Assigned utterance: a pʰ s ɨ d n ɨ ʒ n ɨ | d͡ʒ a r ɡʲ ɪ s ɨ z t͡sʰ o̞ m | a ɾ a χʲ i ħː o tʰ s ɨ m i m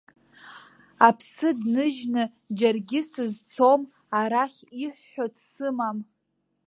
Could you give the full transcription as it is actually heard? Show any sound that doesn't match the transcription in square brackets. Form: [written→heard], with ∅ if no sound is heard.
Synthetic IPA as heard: a pʰ s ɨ d n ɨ ʒ n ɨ | d͡ʒ a r ɡʲ ɪ s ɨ z t͡sʰ o̞ m | a ɾ a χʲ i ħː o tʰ s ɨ m [i→a] m